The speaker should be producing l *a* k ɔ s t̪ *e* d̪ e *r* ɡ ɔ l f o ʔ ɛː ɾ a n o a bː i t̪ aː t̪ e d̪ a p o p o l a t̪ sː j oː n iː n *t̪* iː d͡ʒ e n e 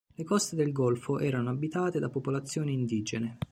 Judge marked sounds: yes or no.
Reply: no, yes, no, no

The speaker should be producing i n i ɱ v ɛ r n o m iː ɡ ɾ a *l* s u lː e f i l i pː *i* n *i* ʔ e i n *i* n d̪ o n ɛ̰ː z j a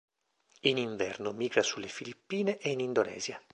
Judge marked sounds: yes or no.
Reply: no, no, no, yes

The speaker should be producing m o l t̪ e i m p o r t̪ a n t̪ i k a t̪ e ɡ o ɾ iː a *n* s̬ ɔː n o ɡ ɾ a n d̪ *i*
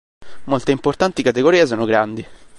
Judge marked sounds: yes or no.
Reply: no, yes

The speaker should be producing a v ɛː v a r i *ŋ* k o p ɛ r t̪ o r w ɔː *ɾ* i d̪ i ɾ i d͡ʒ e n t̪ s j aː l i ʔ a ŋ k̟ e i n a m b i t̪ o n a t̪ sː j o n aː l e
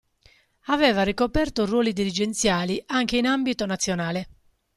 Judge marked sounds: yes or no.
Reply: no, no

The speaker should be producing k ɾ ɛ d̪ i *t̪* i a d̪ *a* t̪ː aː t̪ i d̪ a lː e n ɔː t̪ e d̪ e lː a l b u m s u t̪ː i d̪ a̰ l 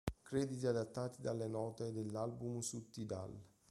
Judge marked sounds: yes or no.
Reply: yes, yes

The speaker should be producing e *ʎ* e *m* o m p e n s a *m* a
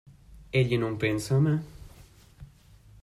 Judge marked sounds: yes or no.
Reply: yes, no, yes

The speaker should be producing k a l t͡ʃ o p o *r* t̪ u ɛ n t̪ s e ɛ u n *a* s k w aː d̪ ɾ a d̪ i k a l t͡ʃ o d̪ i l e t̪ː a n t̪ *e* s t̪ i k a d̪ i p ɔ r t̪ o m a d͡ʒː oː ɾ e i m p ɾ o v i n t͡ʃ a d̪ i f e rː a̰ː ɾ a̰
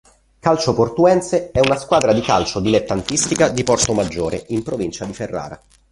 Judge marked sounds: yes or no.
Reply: yes, yes, no

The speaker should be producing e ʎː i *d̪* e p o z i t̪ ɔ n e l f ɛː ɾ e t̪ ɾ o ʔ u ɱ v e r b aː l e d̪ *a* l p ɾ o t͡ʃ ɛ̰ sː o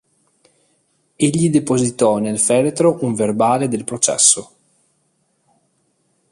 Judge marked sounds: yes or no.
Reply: yes, no

